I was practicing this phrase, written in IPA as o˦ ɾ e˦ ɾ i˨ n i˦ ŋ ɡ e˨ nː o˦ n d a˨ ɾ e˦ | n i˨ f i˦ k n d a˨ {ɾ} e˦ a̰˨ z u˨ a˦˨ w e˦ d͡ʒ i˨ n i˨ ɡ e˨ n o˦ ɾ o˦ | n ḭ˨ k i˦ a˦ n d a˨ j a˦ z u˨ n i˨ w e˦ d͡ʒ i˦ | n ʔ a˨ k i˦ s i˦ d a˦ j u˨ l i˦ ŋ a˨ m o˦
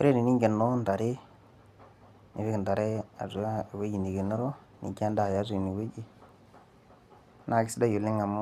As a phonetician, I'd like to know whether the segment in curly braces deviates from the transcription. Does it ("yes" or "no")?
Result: no